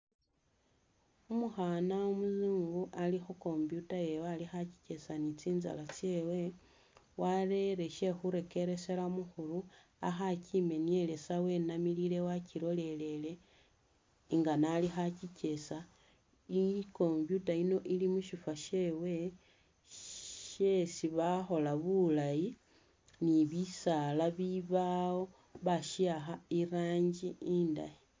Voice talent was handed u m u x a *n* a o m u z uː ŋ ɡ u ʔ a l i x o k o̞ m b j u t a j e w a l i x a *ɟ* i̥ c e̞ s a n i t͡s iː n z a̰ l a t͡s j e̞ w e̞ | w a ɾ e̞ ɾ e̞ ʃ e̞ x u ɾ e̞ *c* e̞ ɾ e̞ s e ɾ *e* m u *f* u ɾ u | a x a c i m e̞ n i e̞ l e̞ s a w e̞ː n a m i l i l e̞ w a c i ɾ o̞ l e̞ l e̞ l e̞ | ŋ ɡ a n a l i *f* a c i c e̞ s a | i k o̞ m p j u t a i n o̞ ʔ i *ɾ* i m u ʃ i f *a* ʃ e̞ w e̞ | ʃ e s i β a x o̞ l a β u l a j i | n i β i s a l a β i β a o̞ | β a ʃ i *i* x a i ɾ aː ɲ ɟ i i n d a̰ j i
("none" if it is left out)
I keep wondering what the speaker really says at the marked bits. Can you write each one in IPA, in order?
n, c, k, a, x, x, l, a, a

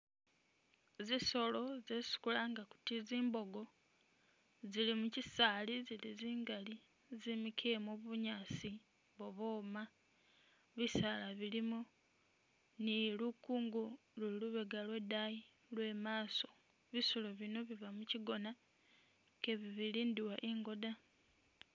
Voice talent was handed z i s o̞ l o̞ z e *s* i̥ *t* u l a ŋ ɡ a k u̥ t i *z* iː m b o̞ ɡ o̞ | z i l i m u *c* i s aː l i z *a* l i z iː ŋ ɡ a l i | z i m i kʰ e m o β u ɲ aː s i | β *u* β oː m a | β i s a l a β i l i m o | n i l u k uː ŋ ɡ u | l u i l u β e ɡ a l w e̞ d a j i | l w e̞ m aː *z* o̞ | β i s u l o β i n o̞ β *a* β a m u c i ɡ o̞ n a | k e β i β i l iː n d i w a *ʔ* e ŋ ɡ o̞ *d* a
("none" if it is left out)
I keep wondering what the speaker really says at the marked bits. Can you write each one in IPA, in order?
s, k, z, c, i, o, s, i, ʔ, d

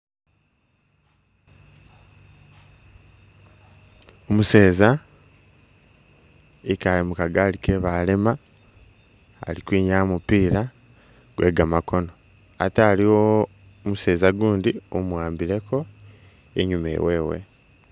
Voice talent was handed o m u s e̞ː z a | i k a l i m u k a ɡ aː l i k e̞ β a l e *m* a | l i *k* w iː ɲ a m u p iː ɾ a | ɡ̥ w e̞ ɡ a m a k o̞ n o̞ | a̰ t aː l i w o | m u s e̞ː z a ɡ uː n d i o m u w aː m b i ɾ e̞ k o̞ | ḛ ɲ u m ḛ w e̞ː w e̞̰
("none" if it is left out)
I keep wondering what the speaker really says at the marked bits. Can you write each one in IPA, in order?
m, k

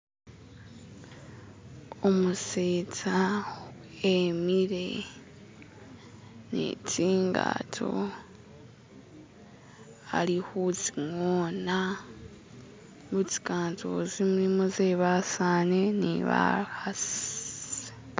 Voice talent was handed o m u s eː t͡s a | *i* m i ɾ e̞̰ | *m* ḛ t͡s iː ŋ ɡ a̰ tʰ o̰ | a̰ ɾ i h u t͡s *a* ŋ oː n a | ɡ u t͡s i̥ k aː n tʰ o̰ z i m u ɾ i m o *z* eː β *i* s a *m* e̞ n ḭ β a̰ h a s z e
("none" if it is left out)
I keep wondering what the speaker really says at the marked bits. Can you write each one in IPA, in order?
e, n, i, z, a, n

